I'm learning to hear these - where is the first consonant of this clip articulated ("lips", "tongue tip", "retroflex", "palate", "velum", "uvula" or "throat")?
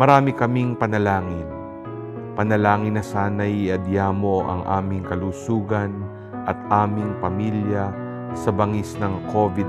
lips